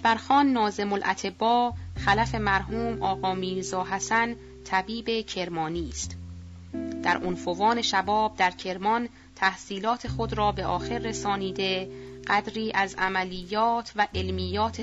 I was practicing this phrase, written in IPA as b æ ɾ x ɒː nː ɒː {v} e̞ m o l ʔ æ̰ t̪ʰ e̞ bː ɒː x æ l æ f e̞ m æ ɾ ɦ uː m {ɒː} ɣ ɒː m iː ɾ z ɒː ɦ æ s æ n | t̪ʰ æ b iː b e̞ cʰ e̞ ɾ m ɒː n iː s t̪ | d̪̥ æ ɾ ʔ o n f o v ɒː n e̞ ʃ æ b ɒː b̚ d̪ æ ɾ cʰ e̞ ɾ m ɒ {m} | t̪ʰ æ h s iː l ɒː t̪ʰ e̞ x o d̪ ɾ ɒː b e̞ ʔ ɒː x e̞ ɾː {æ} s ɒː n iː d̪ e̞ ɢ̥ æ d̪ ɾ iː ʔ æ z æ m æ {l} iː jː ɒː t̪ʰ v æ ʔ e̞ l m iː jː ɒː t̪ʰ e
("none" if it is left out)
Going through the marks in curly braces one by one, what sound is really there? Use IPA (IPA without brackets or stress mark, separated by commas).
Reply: z, ɒː, n, e, l